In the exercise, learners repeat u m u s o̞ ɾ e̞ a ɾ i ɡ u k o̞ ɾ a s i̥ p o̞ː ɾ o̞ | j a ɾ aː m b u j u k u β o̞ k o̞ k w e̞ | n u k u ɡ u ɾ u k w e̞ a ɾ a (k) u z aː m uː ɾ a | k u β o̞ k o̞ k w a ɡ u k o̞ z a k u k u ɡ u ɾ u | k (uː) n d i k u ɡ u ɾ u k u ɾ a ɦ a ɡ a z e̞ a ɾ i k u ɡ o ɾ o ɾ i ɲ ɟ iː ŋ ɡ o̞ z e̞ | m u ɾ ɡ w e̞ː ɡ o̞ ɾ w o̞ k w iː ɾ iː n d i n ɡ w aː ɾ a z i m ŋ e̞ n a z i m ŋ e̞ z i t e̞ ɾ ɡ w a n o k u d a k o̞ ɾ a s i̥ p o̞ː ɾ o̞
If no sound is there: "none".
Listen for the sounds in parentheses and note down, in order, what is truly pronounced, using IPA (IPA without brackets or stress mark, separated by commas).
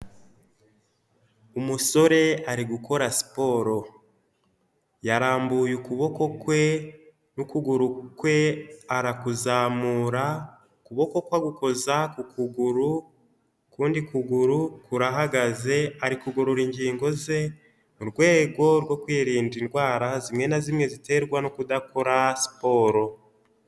k, uː